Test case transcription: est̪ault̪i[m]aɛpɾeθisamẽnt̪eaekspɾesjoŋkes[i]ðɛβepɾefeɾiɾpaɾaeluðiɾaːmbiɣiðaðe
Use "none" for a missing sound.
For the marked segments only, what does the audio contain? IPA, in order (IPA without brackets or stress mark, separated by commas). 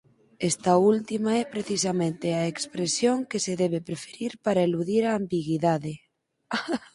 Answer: m, e